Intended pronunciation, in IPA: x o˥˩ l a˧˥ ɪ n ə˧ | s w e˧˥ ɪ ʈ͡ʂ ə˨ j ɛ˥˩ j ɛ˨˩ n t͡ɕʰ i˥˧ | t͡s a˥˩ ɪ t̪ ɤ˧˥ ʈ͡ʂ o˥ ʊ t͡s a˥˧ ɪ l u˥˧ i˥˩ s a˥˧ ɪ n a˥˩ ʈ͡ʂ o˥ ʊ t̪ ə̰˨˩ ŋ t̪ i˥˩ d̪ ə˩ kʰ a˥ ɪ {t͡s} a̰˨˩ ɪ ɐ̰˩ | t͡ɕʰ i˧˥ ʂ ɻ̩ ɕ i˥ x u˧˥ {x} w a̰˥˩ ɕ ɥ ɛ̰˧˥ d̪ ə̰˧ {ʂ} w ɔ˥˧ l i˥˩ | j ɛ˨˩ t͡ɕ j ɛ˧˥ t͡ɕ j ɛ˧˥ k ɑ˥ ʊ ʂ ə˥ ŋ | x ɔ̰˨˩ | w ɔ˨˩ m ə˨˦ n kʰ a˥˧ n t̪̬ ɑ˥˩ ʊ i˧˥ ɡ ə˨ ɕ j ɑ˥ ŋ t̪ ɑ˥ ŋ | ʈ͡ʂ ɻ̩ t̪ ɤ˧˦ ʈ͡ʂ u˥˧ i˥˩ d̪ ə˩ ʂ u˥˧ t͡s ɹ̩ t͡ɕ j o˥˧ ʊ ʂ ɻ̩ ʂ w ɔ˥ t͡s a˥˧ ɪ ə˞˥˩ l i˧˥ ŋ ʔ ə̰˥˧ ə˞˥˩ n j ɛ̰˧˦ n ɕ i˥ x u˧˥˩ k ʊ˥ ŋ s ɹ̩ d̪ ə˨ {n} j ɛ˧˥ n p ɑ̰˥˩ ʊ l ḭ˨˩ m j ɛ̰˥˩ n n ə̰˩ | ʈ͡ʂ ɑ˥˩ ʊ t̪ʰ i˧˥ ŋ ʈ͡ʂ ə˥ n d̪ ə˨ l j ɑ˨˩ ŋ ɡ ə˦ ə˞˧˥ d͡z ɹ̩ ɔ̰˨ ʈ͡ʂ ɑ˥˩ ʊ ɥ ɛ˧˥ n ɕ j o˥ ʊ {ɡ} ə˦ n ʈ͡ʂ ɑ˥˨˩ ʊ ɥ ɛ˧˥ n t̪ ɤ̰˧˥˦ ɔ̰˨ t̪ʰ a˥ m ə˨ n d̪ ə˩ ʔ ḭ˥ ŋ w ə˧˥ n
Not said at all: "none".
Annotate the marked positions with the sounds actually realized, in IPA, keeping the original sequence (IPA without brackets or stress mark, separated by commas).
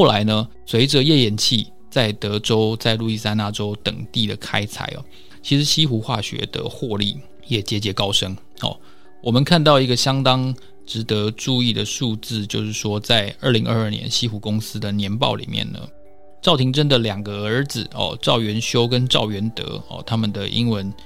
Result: t͡sʰ, x, x, n, k